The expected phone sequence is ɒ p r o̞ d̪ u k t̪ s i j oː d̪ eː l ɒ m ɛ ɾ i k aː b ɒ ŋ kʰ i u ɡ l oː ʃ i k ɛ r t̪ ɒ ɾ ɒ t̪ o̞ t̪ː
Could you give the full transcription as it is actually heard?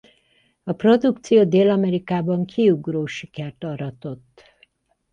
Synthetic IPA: ɒ p r o̞ d̪ u k t̪ s i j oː d̪ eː l ɒ m ɛ ɾ i k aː b ɒ ŋ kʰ i u ɡ r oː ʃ i k ɛ r t̪ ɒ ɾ ɒ t̪ o̞ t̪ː